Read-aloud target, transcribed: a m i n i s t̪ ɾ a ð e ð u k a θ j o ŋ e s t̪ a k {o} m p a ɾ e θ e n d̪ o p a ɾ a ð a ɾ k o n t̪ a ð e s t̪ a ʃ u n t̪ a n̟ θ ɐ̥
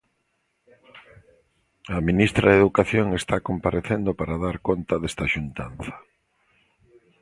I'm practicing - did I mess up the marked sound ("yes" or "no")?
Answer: no